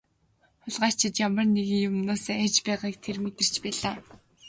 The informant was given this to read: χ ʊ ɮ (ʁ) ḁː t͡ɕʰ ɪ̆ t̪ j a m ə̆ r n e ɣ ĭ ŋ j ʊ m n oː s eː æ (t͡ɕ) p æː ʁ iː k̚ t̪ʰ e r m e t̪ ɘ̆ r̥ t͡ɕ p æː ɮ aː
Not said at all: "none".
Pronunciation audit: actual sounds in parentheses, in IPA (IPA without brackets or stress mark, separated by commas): ʁ, t͡ɕ